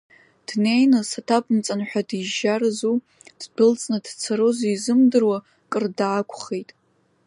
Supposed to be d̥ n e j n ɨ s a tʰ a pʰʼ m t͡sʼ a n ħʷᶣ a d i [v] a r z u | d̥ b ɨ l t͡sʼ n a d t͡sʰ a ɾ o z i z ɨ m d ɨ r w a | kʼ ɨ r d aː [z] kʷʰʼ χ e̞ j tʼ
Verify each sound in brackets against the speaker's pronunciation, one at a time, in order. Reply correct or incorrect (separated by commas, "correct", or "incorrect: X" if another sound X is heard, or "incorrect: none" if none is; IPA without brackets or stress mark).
incorrect: ʒ, incorrect: none